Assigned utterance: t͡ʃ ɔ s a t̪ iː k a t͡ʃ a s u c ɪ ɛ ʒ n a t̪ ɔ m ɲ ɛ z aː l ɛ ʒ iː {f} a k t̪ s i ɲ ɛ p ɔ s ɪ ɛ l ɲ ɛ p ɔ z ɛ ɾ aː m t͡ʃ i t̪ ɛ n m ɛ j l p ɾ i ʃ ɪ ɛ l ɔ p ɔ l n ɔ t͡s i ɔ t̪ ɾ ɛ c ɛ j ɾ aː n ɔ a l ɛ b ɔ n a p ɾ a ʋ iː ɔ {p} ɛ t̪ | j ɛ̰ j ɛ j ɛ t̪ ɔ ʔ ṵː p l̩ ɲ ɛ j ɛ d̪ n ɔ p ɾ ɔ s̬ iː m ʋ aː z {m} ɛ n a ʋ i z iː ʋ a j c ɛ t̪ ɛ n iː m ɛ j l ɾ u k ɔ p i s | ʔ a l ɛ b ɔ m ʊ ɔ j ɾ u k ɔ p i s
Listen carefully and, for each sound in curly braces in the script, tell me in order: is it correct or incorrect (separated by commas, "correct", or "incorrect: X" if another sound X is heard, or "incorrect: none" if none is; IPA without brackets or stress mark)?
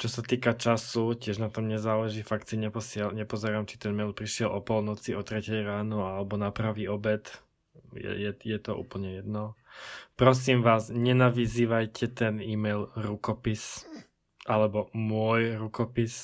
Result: correct, incorrect: b, incorrect: ɲ